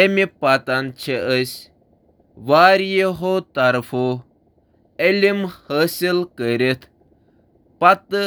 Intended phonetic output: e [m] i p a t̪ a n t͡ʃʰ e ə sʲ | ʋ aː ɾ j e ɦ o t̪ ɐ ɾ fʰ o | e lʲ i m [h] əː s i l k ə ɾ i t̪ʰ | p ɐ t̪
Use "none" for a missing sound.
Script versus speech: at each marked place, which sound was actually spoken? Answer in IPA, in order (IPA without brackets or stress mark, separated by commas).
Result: m, h